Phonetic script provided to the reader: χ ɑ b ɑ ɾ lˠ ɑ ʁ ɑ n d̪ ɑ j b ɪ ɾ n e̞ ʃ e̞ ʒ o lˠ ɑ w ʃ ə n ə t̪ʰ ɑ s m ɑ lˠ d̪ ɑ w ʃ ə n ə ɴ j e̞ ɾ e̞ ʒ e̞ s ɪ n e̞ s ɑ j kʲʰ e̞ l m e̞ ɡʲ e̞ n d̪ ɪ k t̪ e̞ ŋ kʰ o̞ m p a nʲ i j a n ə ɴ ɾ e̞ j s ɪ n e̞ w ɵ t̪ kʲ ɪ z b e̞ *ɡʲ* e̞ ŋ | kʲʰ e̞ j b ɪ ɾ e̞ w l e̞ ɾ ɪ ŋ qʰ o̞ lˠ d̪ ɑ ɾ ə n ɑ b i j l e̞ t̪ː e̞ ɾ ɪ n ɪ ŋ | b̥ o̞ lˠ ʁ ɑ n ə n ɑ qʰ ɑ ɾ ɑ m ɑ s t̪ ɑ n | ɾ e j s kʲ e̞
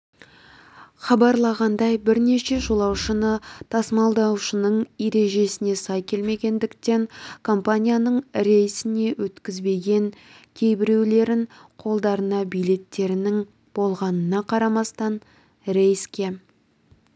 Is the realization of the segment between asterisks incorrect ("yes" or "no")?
no